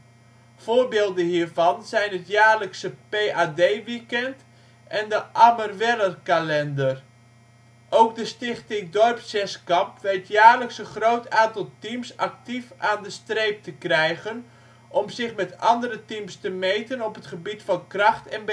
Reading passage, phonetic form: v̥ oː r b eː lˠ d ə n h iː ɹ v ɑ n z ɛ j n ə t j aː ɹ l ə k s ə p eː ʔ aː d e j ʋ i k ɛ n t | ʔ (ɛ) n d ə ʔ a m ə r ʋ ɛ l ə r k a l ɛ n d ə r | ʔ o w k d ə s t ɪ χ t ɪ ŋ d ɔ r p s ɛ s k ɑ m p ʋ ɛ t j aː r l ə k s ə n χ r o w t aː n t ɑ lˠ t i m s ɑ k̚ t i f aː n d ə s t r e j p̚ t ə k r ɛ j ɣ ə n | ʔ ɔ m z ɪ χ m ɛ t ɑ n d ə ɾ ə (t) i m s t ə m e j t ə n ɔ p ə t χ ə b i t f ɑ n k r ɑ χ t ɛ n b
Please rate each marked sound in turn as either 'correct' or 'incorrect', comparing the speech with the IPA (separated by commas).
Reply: correct, correct